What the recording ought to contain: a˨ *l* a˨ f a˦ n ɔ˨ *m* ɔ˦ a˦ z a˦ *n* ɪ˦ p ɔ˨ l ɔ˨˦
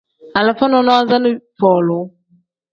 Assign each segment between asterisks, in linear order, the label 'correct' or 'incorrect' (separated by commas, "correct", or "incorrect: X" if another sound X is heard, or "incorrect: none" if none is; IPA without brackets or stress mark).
correct, incorrect: n, correct